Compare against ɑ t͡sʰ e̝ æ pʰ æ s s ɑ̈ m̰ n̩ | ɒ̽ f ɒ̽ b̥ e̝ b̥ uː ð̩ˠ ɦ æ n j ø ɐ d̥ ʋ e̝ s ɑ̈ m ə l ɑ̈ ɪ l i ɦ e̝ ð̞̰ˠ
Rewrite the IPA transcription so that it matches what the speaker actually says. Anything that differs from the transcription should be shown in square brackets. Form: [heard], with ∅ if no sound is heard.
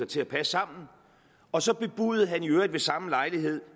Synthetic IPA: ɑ t͡sʰ e̝ æ pʰ æ s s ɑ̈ m̰ n̩ | ɒ̽ [s] ɒ̽ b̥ e̝ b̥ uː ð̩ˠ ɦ æ n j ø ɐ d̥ ʋ e̝ s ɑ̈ m ə l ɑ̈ ɪ l i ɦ e̝ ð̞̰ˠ